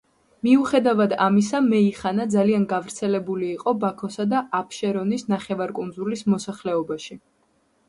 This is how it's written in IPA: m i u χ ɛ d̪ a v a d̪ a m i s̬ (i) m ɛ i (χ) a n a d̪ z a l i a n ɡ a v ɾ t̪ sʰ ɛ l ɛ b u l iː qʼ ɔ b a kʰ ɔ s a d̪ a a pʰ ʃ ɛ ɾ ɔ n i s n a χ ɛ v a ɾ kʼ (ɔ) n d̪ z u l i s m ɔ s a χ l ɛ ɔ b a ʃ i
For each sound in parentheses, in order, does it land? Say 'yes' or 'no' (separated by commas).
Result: no, yes, no